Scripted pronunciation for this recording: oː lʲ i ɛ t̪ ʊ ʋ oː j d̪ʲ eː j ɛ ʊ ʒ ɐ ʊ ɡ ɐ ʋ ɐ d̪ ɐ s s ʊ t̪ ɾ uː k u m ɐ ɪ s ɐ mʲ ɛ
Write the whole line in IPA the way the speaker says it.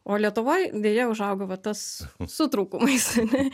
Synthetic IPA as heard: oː lʲ i ɛ t̪ ʊ ʋ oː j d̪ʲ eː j ɛ ʊ ʒ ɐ ʊ ɡ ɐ ʋ ɐ t̪ ɐ s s ʊ t̪ ɾ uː k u m ɐ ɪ s ɐ nʲ ɛ

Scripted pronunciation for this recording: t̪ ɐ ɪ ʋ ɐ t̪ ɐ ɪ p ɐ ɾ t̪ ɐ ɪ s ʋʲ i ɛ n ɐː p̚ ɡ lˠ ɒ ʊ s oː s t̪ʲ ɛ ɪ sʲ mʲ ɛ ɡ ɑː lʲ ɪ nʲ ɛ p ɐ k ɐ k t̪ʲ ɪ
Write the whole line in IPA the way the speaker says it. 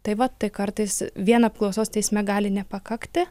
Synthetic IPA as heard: t̪ ɐ ɪ ʋ ɐ t̪ ɐ ɪ k ɐ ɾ t̪ ɐ ɪ s ʋʲ i ɛ n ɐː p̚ k lˠ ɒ ʊ s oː s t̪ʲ ɛ ɪ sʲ mʲ ɛ ɡ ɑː lʲ ɪ nʲ ɛ p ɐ k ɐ k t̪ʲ ɪ

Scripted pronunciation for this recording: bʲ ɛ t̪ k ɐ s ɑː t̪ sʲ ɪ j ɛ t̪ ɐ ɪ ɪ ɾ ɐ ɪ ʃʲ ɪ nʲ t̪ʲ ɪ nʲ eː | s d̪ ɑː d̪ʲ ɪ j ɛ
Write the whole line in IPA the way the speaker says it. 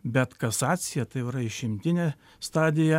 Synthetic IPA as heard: bʲ ɛ t̪ k ɐ s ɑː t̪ sʲ ɪ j ɛ t̪ ɐ ɪ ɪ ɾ ɐ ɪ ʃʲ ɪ mʲ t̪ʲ ɪ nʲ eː | s t̪ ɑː d̪ʲ ɪ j ɛ

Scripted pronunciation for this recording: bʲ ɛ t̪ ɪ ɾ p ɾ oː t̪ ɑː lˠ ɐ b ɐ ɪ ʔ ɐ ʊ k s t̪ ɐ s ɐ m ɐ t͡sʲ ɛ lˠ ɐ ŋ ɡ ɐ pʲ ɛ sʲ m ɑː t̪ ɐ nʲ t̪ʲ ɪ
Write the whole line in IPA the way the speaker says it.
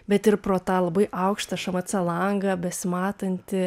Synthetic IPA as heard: bʲ ɛ t̪ ɪ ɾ p ɾ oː t̪ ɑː lˠ ɐ b ɐ ɪ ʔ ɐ ʊ k ʃ t̪ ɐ ʃ ɐ m ɐ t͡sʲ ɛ lˠ ɐ ŋ ɡ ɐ bʲ ɛ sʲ m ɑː t̪ ɐ nʲ t̪ʲ ɪ

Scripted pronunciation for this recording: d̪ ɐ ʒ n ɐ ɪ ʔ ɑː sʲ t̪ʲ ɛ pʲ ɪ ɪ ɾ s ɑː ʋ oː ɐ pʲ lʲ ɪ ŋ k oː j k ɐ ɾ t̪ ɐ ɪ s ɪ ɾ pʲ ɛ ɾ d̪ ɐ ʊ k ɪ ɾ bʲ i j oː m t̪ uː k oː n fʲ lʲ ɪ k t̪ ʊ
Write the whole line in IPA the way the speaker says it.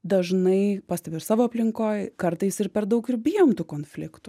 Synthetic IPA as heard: d̪ ɐ ʒ n ɐ ɪ p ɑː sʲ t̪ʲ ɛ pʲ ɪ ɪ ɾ s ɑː ʋ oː ɐ pʲ lʲ ɪ ŋ k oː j k ɐ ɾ t̪ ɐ ɪ s ɪ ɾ pʲ ɛ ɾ d̪ ɐ ʊ k ɪ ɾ bʲ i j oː m t̪ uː k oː n fʲ lʲ ɪ k t̪ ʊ

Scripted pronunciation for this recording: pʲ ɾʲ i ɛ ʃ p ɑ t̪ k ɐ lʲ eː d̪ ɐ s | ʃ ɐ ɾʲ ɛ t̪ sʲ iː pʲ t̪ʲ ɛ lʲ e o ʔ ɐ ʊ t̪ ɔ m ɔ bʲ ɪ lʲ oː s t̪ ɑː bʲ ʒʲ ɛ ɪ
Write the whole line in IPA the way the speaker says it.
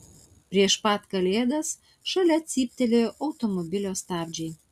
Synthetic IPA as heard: pʲ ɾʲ i ɛ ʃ p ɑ t̪ k ɐ lʲ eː d̪ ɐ s | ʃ ɐ lʲ ɛ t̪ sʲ iː pʲ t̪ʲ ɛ lʲ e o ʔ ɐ ʊ t̪ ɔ m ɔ bʲ ɪ lʲ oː s t̪ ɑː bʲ d͡ʒʲ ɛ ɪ

